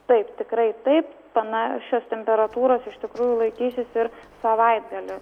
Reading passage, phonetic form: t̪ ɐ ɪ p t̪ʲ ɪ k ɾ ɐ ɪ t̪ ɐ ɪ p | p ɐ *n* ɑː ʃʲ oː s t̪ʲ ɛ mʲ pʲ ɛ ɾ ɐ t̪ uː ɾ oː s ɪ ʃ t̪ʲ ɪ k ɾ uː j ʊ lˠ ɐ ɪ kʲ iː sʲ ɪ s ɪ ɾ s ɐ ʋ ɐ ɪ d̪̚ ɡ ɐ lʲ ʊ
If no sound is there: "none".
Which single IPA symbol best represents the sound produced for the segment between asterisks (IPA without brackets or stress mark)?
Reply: n